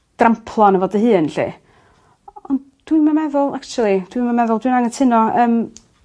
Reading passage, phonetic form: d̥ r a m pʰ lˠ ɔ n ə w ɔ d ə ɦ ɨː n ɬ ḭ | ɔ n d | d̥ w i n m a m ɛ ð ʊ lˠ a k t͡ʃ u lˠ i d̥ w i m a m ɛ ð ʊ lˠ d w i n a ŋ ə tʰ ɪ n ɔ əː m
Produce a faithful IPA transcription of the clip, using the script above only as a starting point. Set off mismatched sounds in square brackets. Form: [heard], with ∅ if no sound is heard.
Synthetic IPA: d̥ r a m pʰ lˠ ɔ n ə [v] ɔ d ə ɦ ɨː n ɬ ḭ | ɔ n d | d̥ w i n m a m ɛ ð ʊ lˠ a k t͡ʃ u lˠ i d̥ w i m a m ɛ ð ʊ lˠ d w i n a ŋ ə tʰ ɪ n ɔ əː m